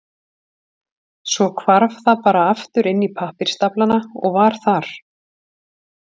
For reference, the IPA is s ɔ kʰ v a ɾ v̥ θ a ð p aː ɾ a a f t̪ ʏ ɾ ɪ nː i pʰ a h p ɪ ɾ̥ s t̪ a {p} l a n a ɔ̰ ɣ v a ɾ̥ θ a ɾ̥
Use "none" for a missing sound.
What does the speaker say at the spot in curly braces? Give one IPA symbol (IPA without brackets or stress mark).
p